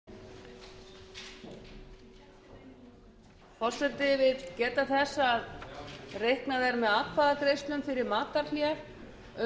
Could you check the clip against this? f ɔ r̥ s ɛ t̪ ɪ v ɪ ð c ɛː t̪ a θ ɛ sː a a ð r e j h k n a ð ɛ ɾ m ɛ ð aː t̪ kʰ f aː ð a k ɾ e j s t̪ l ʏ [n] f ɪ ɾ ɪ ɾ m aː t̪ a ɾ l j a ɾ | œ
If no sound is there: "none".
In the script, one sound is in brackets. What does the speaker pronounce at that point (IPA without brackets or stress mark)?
m